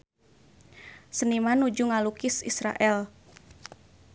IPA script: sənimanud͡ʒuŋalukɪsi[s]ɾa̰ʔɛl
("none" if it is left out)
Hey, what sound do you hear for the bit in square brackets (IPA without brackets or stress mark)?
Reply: s